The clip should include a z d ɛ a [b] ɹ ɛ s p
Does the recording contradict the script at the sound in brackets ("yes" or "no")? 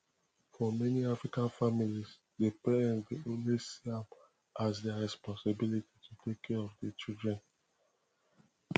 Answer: yes